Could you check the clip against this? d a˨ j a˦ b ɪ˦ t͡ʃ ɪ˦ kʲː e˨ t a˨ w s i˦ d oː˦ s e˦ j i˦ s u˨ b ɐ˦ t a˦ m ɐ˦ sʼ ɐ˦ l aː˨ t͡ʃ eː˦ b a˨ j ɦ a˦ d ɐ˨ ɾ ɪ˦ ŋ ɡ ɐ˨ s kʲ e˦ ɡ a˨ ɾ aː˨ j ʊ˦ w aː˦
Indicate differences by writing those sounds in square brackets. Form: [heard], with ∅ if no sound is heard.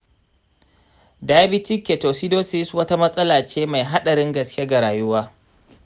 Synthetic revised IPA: d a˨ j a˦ b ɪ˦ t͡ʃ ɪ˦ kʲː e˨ t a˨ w s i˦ d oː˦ s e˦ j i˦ s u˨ [w] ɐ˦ t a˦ m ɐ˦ sʼ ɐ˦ l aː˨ t͡ʃ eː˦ [m] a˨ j ɦ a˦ [ɗ] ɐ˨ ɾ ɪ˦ ŋ ɡ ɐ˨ s kʲ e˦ ɡ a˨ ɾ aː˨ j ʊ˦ w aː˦